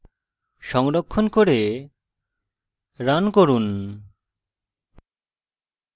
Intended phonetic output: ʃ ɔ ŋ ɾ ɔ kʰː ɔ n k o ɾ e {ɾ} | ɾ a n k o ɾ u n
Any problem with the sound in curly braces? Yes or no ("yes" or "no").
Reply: yes